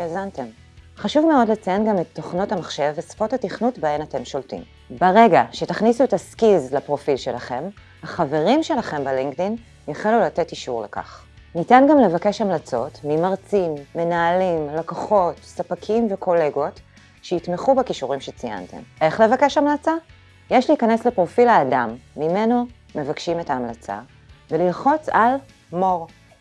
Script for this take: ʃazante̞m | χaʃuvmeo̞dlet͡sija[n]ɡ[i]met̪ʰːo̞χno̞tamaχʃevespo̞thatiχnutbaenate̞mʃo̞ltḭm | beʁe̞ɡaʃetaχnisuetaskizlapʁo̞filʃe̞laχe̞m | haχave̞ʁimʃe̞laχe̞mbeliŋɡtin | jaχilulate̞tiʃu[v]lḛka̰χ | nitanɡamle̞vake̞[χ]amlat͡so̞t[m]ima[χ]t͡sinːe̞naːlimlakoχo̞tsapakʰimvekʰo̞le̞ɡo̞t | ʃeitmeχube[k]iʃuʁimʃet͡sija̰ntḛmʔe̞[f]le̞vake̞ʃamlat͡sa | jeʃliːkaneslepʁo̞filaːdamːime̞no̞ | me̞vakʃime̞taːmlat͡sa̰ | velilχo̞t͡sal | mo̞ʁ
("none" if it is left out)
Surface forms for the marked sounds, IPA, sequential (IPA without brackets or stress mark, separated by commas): n, a, ʁ, ʃ, m, ʁ, k, χ